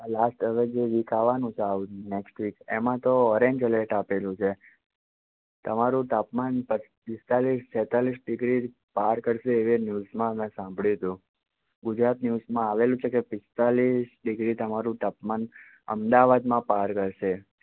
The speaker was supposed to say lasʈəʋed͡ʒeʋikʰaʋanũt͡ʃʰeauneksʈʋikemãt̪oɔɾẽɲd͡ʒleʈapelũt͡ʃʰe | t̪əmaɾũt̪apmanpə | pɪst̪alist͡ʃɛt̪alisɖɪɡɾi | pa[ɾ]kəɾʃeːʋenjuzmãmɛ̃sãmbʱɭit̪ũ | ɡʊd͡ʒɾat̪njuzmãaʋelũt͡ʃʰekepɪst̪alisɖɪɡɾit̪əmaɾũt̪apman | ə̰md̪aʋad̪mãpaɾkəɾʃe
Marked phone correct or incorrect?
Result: correct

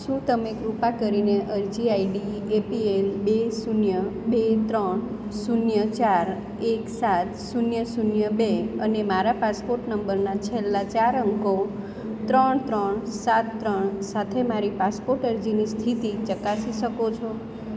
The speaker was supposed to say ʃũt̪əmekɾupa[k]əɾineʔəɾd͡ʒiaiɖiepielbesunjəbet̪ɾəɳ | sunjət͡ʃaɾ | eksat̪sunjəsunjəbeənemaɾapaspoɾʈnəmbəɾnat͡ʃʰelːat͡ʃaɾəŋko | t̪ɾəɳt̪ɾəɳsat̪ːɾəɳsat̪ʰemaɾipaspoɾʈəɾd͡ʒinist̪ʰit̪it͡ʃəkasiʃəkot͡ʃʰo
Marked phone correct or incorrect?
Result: correct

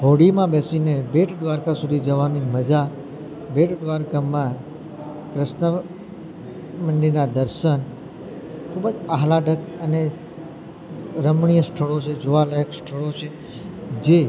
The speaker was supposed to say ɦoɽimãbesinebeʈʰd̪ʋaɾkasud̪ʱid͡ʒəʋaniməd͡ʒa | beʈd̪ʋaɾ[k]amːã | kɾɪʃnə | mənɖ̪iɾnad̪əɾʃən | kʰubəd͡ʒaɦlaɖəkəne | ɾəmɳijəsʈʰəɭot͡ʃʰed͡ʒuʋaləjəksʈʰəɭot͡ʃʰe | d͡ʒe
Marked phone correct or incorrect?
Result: correct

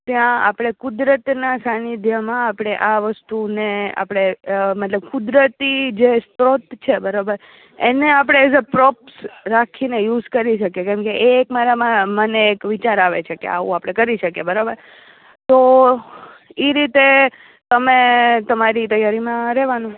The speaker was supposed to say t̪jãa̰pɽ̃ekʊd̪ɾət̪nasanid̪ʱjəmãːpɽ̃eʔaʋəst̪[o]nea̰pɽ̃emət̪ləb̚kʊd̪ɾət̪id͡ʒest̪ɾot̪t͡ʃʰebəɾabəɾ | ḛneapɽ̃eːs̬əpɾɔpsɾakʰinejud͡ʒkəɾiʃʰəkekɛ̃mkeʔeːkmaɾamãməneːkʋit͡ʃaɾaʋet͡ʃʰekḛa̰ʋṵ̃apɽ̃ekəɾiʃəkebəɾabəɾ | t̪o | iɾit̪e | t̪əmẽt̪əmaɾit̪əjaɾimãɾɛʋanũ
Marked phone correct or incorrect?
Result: incorrect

